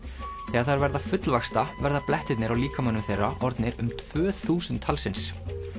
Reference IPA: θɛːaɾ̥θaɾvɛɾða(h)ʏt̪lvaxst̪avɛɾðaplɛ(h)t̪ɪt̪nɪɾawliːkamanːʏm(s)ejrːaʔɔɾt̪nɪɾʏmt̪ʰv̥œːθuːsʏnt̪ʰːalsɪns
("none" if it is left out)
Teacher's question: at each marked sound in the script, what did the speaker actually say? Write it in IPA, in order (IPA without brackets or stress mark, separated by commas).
f, h, θ